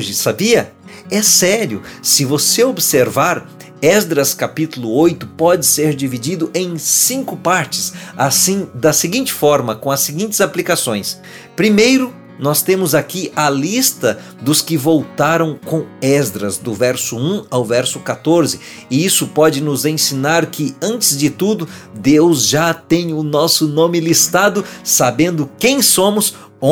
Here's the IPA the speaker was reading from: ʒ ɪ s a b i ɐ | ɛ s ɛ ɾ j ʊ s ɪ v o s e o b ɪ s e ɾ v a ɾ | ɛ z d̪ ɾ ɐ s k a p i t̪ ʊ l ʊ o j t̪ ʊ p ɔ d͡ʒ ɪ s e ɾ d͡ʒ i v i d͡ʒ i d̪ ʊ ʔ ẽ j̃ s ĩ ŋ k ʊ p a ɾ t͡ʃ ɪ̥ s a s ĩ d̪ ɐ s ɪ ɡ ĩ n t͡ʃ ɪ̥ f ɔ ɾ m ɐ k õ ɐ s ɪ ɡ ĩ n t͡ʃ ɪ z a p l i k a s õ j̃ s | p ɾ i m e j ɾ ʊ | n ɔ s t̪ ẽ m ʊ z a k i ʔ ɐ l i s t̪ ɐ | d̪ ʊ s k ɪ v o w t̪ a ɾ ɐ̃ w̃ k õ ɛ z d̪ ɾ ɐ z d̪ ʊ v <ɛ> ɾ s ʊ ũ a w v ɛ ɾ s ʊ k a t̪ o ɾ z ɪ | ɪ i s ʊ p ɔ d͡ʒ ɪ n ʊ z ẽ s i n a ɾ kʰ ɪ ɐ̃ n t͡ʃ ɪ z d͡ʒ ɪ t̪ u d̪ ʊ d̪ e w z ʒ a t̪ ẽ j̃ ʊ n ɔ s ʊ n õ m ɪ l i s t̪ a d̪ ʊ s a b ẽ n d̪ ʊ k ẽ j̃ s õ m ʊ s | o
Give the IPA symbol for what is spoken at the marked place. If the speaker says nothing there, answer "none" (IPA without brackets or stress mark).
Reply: ɛ